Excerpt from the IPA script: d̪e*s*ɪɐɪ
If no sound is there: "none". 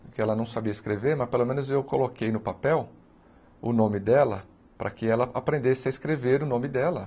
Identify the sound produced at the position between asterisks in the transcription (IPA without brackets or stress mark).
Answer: s